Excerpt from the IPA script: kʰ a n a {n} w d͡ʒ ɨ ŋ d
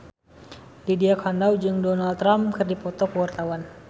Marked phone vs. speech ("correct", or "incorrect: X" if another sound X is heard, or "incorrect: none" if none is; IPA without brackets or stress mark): incorrect: none